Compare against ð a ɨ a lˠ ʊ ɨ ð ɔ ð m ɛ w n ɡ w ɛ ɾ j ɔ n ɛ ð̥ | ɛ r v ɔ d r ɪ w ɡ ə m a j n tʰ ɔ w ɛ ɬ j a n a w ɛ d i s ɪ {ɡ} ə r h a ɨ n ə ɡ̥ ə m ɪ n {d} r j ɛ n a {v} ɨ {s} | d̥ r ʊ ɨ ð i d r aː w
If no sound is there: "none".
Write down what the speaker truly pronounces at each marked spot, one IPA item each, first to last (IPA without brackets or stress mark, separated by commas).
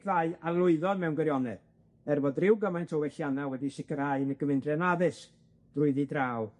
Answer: k, d, ð, s